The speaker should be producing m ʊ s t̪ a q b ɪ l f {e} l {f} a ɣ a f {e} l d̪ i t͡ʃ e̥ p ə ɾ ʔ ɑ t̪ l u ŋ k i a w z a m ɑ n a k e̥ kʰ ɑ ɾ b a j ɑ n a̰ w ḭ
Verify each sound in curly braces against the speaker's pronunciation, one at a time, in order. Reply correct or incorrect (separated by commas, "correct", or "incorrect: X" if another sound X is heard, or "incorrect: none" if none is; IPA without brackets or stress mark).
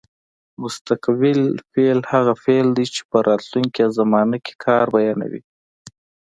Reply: correct, incorrect: h, correct